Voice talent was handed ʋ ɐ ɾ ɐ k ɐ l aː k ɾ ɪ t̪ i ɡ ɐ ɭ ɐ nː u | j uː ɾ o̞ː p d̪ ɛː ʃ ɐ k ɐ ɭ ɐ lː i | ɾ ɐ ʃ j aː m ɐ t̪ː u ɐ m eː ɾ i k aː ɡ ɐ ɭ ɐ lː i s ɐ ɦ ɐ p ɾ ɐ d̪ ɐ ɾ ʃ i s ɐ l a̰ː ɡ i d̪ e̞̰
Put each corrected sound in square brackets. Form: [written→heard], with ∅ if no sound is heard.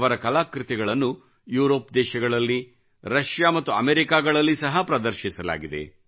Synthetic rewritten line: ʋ ɐ ɾ ɐ k ɐ l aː k ɾ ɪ t̪ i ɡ ɐ ɭ ɐ nː u | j uː ɾ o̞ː p d̪ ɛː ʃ ɐ [k→ɡ] ɐ ɭ ɐ lː i | ɾ ɐ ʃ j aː m ɐ t̪ː u ɐ m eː ɾ i k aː ɡ ɐ ɭ ɐ lː i s ɐ ɦ ɐ p ɾ ɐ d̪ ɐ ɾ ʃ i s ɐ l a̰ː ɡ i d̪ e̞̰